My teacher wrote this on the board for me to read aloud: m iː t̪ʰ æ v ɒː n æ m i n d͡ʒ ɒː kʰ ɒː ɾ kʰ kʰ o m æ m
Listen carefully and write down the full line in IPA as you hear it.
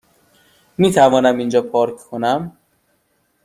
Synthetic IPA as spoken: m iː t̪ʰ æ v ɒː n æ m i n d͡ʒ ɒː pʰ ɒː ɾ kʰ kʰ o n æ m